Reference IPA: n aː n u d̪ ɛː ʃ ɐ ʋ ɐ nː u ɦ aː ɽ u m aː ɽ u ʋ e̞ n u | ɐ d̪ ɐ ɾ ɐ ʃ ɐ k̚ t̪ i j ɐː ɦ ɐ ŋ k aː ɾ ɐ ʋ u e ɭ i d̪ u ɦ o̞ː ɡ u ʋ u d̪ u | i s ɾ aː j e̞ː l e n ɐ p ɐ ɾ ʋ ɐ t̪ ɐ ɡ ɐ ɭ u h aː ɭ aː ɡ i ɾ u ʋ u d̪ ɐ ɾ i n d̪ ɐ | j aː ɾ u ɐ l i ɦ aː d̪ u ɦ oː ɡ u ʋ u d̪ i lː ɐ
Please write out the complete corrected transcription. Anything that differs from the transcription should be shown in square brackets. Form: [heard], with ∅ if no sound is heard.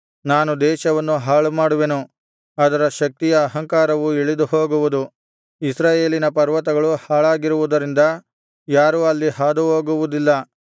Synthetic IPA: n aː n u d̪ ɛː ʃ ɐ ʋ ɐ nː u ɦ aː [ɭ] u m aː ɽ u ʋ e̞ n u | ɐ d̪ ɐ ɾ ɐ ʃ ɐ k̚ t̪ i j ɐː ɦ ɐ ŋ k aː ɾ ɐ ʋ u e ɭ i d̪ u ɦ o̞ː ɡ u ʋ u d̪ u | i s ɾ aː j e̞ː l [i] n ɐ p ɐ ɾ ʋ ɐ t̪ ɐ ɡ ɐ ɭ u h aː ɭ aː ɡ i ɾ u ʋ u d̪ ɐ ɾ i n d̪ ɐ | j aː ɾ u ɐ [lː] i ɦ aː d̪ u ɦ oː ɡ u ʋ u d̪ i lː ɐ

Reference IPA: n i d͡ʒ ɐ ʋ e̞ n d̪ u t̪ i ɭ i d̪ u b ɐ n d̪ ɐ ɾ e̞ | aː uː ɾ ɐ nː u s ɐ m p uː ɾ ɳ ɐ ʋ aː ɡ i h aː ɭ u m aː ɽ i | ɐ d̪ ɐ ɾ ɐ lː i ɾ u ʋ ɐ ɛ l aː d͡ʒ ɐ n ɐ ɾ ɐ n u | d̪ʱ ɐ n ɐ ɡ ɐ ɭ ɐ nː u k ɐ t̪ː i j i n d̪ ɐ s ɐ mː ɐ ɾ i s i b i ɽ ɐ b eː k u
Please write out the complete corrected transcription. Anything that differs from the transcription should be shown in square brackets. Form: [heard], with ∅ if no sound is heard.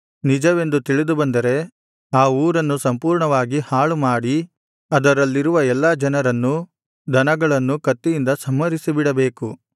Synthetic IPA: n i d͡ʒ ɐ ʋ e̞ n d̪ u t̪ i ɭ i d̪ u b ɐ n d̪ ɐ ɾ e̞ | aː uː ɾ ɐ nː u s ɐ m p uː ɾ ɳ ɐ ʋ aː ɡ i h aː ɭ u m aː ɽ i | ɐ d̪ ɐ ɾ ɐ lː i ɾ u ʋ ɐ ɛ [lː] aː d͡ʒ ɐ n ɐ ɾ ɐ [nː] u | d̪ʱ ɐ n ɐ ɡ ɐ ɭ ɐ nː u k ɐ t̪ː i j i n d̪ ɐ s ɐ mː ɐ ɾ i s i b i ɽ ɐ b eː k u

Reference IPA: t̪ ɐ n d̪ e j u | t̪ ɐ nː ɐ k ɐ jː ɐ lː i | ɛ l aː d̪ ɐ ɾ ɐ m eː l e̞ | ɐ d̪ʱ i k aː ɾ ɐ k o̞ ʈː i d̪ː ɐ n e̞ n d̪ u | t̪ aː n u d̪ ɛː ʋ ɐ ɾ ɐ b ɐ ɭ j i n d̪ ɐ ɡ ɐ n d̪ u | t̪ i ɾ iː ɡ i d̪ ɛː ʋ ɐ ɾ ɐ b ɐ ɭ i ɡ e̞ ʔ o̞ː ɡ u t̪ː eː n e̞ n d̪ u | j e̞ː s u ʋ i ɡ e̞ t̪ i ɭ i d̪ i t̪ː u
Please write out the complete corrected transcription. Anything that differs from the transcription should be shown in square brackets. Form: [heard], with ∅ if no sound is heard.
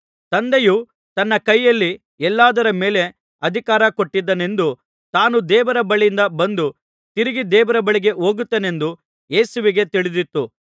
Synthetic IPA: t̪ ɐ n d̪ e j u | t̪ ɐ nː ɐ k ɐ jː ɐ lː i | ɛ [lː] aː d̪ ɐ ɾ ɐ m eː l e̞ | ɐ d̪ʱ i k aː ɾ ɐ k o̞ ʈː i d̪ː ɐ n e̞ n d̪ u | t̪ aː n u d̪ ɛː ʋ ɐ ɾ ɐ b ɐ ɭ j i n d̪ ɐ [b] ɐ n d̪ u | t̪ i ɾ [i] ɡ i d̪ ɛː ʋ ɐ ɾ ɐ b ɐ ɭ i ɡ e̞ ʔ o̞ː ɡ u t̪ː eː n e̞ n d̪ u | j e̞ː s u ʋ i ɡ e̞ t̪ i ɭ i d̪ i t̪ː u

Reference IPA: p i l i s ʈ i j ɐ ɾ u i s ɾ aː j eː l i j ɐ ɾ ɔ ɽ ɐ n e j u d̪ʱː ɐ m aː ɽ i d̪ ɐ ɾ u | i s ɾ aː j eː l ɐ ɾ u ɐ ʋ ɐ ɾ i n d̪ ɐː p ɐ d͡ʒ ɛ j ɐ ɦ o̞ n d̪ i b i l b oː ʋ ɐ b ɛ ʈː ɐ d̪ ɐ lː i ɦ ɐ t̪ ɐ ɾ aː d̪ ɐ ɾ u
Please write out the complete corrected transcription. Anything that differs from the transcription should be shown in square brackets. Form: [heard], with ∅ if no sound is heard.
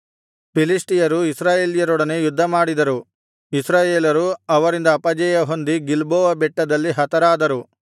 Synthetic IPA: p i l i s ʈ i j ɐ ɾ u i s ɾ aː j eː l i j ɐ ɾ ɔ ɽ ɐ n e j u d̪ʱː ɐ m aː ɽ i d̪ ɐ ɾ u | i s ɾ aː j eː l ɐ ɾ u ɐ ʋ ɐ ɾ i n d̪ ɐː p ɐ d͡ʒ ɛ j ɐ ɦ o̞ n d̪ i [ɡ] i l b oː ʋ ɐ b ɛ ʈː ɐ d̪ ɐ lː i ɦ ɐ t̪ ɐ ɾ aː d̪ ɐ ɾ u

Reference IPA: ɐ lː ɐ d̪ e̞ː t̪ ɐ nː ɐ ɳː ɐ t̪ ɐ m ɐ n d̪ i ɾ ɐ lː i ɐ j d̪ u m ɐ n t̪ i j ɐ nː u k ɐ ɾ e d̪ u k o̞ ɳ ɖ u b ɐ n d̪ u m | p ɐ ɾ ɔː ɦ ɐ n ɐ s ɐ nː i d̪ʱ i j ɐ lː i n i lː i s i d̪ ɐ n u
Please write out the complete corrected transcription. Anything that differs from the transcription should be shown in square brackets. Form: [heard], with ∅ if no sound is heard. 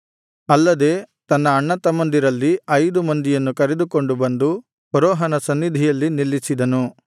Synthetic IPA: ɐ lː ɐ d̪ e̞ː t̪ ɐ nː [ɐː] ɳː ɐ t̪ ɐ m ɐ n d̪ i ɾ ɐ lː i ɐ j d̪ u m ɐ n [d̪] i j ɐ nː u k ɐ ɾ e d̪ u k o̞ ɳ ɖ u b ɐ n d̪ u [∅] | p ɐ ɾ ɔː ɦ ɐ n ɐ s ɐ nː i d̪ʱ i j ɐ lː i n i lː i s i d̪ ɐ n u

